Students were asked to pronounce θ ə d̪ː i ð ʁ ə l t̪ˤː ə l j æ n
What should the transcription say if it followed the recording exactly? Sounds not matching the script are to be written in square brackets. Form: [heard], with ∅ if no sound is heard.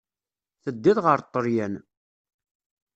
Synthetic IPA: θ ə d̪ː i ð ʁ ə [ɾ] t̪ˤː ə [ɾ] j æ n